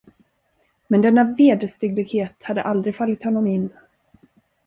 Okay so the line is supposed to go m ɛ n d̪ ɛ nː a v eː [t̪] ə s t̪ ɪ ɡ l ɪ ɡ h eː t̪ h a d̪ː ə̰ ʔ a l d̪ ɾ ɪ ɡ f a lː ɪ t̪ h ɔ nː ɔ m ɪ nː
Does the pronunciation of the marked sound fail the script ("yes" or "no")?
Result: yes